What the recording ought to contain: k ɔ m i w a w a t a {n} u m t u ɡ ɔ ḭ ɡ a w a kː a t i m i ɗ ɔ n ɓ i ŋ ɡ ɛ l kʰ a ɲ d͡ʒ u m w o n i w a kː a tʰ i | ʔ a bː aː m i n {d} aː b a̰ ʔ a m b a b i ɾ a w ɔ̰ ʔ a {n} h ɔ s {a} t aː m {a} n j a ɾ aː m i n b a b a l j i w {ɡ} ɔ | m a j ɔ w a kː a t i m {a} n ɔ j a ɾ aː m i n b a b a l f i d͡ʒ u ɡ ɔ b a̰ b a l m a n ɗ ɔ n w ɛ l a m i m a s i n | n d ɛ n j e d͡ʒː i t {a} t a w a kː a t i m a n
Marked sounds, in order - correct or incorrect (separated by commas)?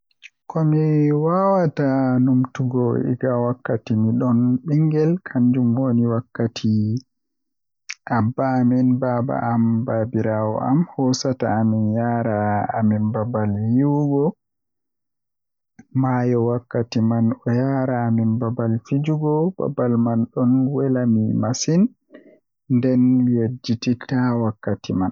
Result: correct, incorrect, incorrect, correct, incorrect, correct, correct, incorrect